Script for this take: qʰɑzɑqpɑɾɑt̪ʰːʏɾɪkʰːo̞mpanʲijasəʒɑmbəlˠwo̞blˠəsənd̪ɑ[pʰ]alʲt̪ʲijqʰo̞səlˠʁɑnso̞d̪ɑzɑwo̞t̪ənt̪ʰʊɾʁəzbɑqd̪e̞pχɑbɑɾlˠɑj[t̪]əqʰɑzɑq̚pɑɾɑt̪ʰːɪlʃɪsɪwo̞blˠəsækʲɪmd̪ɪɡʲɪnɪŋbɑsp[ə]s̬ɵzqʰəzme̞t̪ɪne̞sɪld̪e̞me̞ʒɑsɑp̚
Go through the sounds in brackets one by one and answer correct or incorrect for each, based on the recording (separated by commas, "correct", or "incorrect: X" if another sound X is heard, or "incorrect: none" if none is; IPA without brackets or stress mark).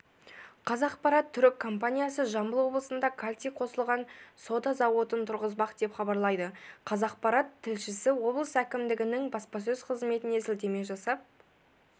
incorrect: kʰ, incorrect: d̪, incorrect: ɑ